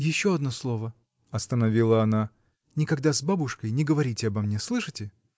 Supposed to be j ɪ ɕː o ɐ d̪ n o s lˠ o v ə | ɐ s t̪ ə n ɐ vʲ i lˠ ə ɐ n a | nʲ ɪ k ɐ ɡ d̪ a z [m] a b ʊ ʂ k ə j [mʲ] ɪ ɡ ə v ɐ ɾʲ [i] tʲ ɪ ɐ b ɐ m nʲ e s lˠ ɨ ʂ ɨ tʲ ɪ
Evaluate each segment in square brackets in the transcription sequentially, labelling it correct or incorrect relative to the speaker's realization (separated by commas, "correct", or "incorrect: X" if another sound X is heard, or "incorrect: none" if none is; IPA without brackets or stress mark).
incorrect: b, incorrect: nʲ, correct